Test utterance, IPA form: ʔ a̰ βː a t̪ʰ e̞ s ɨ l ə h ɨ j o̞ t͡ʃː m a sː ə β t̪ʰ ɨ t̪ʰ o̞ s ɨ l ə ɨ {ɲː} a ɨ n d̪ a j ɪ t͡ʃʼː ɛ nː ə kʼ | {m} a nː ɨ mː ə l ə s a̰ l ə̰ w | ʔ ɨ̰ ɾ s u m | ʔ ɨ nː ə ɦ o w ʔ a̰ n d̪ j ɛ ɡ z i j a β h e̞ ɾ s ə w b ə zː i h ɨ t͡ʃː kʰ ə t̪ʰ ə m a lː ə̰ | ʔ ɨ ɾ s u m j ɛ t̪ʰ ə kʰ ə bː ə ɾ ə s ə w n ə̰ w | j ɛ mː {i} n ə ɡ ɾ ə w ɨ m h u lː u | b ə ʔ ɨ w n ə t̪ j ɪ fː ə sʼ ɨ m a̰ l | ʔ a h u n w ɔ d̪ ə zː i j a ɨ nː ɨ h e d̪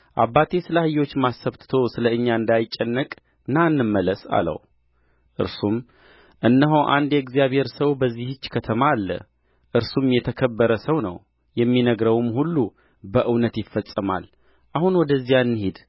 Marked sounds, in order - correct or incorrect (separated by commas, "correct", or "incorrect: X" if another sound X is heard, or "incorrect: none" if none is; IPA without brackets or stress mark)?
correct, incorrect: n, correct